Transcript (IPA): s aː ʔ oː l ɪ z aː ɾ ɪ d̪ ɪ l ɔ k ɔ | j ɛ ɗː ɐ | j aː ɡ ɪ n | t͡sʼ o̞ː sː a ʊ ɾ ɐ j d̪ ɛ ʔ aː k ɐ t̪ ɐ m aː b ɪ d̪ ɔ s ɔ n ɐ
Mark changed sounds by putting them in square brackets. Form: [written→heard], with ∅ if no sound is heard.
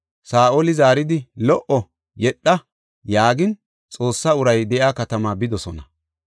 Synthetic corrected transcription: s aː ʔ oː l ɪ z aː ɾ ɪ d̪ ɪ l ɔ [k→ʔ] ɔ | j ɛ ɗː ɐ | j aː ɡ ɪ n | t͡sʼ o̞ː sː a ʊ ɾ ɐ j d̪ ɛ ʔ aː k ɐ t̪ ɐ m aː b ɪ d̪ ɔ s ɔ n ɐ